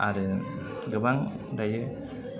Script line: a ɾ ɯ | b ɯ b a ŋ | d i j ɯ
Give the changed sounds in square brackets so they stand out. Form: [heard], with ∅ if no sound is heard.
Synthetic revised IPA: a ɾ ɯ | [ɡ] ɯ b a ŋ | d [a] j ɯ